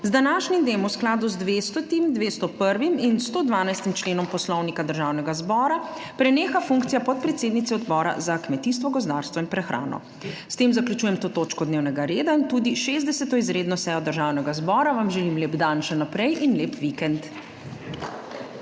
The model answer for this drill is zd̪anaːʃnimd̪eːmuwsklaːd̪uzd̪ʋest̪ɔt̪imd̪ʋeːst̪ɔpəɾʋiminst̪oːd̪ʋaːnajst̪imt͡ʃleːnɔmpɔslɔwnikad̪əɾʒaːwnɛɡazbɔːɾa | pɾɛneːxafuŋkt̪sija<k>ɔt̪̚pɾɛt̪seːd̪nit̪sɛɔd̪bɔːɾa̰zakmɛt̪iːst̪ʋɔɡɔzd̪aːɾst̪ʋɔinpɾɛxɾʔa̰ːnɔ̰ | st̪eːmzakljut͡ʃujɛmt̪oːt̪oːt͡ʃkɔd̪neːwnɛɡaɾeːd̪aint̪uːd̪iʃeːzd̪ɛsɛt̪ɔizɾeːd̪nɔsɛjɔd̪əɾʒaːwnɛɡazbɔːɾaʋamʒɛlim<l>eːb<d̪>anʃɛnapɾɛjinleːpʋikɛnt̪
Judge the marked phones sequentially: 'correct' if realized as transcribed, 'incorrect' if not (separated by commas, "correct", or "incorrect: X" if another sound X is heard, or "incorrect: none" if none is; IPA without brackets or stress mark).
incorrect: p, correct, correct